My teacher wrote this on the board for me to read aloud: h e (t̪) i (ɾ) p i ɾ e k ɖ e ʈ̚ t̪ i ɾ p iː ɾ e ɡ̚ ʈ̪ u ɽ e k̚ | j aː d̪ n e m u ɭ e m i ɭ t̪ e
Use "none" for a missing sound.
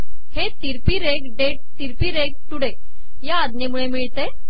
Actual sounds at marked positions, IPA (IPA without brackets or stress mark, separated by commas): t̪, ɾ